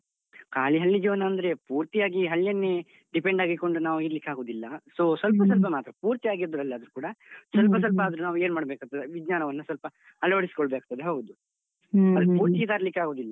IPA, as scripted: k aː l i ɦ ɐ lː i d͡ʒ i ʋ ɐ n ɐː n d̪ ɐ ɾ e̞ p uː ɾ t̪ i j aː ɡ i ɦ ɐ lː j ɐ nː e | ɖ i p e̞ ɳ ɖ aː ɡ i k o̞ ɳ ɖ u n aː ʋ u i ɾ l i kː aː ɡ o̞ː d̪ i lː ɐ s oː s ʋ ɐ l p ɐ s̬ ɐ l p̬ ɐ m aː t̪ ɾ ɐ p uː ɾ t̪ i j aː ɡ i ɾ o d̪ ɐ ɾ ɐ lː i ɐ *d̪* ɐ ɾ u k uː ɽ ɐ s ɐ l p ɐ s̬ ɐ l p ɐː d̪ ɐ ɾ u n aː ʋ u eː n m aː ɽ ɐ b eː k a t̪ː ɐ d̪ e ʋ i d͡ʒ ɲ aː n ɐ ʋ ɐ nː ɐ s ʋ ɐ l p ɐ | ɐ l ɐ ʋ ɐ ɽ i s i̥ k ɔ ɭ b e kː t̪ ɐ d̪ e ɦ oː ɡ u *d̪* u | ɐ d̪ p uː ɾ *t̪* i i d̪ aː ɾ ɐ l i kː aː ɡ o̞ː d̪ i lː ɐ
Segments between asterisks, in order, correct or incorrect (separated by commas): correct, correct, correct